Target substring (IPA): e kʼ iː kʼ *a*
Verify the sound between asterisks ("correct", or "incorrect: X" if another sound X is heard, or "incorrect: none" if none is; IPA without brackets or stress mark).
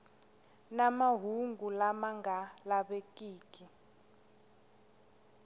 incorrect: i